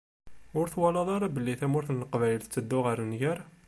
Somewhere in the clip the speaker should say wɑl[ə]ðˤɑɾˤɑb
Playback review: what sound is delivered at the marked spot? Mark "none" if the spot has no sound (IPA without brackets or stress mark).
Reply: ɑ